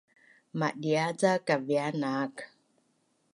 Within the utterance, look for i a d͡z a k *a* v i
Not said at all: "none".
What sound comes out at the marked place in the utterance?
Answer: a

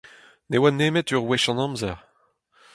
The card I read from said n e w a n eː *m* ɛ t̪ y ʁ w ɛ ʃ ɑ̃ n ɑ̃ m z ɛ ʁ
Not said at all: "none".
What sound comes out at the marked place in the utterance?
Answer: m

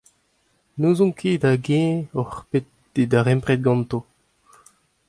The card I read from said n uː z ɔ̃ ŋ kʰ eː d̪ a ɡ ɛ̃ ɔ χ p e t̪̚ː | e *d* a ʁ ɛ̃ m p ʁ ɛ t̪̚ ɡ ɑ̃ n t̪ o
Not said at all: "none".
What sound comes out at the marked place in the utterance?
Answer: d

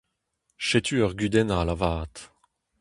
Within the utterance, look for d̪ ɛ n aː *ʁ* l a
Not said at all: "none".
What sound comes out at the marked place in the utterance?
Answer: none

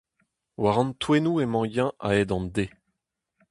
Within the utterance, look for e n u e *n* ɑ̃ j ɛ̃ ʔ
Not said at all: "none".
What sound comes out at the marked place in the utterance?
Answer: m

